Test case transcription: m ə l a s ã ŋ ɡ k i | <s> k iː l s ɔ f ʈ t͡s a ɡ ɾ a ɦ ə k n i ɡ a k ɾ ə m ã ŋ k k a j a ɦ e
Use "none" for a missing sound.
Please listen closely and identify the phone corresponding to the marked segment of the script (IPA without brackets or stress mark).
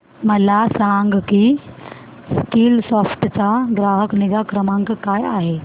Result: s